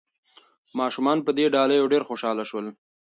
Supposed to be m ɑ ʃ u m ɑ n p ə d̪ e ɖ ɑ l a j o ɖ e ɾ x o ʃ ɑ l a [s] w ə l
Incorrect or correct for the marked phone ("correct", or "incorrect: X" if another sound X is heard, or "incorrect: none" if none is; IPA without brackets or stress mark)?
incorrect: ʃ